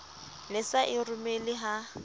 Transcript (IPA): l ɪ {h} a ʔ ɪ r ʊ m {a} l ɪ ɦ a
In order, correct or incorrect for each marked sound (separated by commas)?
incorrect, incorrect